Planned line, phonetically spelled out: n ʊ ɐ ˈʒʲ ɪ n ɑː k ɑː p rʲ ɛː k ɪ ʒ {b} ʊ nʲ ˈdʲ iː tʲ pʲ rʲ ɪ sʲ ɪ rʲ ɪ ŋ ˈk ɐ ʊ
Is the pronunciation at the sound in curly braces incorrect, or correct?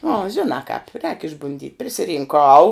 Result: correct